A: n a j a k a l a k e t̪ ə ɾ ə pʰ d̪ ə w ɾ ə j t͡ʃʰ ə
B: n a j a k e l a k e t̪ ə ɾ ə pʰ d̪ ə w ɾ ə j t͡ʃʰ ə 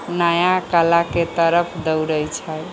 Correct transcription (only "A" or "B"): A